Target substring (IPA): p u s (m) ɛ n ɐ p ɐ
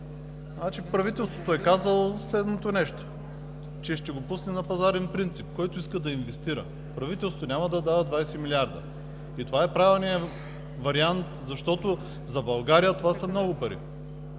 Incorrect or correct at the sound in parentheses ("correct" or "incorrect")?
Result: incorrect